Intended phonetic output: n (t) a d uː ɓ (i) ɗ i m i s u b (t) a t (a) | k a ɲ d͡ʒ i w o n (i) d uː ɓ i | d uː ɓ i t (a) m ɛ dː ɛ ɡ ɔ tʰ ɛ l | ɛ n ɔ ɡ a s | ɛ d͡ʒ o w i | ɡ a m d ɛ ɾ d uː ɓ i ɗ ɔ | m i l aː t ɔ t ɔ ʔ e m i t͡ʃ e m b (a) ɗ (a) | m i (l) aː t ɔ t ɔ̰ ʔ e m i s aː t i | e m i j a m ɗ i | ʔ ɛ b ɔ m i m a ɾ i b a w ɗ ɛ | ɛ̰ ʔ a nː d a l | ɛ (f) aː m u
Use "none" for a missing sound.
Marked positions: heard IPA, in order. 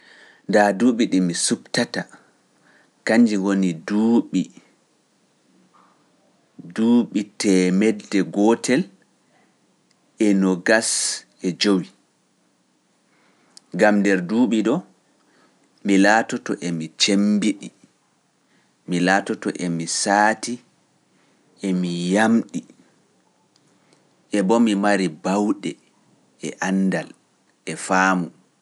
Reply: d, i, t, a, i, ɛ, i, i, l, f

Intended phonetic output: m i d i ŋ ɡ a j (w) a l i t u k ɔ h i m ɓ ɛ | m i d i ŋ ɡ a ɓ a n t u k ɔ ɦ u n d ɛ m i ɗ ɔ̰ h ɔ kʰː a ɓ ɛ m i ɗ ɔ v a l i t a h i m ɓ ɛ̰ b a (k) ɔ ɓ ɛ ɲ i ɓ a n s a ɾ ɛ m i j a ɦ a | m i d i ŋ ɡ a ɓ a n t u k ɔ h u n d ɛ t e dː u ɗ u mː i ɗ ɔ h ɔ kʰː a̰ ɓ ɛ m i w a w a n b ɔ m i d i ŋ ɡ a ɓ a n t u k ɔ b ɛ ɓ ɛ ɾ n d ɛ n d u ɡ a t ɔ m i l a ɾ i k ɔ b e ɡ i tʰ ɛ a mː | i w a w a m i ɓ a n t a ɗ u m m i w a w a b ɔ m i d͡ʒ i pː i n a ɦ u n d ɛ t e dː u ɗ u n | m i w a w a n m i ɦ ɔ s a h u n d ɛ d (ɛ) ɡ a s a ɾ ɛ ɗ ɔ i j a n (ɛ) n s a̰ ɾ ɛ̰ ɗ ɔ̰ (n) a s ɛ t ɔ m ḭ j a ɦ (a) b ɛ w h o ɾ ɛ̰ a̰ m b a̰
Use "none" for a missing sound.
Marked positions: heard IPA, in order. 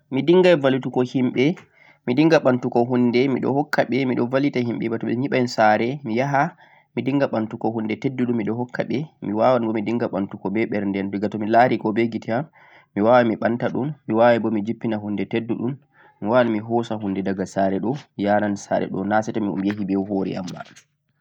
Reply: v, t, a, a, n, i

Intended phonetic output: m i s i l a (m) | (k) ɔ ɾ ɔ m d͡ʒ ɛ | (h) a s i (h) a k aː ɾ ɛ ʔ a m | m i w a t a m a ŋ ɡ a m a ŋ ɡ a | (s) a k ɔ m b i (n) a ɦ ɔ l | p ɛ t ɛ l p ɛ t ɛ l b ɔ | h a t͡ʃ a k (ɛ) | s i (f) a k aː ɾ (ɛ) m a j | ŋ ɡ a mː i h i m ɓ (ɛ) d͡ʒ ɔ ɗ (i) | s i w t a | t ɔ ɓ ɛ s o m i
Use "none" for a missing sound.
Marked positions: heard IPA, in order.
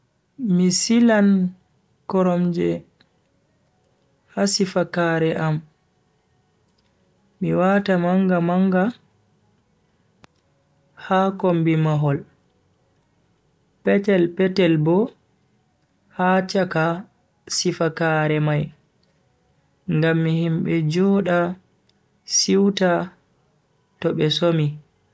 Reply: n, k, h, f, h, m, a, f, ɛ, ɛ, a

